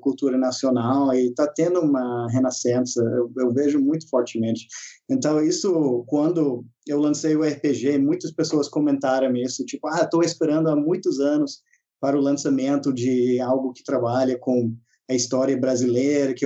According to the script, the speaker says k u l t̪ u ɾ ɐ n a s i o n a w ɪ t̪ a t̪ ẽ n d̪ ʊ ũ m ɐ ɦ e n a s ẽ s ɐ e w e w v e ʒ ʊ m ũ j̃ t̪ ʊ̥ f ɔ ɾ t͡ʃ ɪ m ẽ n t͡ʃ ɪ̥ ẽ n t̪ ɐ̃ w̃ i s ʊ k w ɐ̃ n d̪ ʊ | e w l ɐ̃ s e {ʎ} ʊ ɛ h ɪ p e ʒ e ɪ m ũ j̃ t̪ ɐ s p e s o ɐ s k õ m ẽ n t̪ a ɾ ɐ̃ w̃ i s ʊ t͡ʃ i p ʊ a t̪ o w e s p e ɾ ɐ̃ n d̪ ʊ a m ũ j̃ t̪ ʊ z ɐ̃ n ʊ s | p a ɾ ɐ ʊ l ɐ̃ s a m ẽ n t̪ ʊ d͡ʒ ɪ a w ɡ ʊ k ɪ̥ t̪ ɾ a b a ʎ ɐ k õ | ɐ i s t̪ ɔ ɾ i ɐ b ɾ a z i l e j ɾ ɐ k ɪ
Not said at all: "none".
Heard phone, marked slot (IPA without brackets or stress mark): j